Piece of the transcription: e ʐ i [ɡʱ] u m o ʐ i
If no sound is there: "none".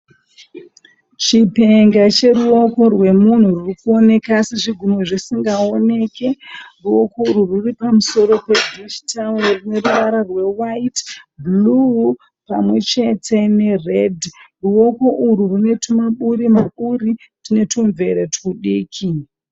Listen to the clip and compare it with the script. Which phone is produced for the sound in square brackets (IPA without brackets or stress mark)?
ɡʱ